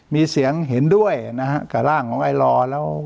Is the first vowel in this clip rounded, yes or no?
no